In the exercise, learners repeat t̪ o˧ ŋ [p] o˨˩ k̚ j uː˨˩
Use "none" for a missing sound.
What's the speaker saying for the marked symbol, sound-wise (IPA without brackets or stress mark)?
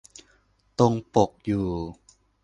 p